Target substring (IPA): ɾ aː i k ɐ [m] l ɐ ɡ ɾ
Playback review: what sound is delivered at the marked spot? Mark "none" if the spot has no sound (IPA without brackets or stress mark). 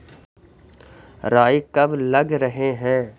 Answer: b